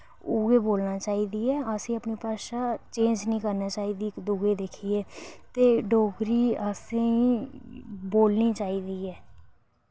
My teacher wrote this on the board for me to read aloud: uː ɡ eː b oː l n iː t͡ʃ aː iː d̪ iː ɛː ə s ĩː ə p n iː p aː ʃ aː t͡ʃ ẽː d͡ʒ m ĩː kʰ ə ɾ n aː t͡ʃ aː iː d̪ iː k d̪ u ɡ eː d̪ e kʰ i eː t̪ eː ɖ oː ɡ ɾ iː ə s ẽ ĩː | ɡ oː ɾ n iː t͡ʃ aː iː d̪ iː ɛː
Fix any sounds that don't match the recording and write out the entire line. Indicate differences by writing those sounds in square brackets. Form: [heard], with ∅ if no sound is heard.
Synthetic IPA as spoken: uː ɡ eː b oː l n [aː] t͡ʃ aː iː d̪ iː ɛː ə s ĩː ə p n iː p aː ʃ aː t͡ʃ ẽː d͡ʒ [n] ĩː [k] ə ɾ n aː t͡ʃ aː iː d̪ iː k d̪ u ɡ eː d̪ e kʰ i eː t̪ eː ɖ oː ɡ ɾ iː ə s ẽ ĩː | [b] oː [l] n iː t͡ʃ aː iː d̪ iː ɛː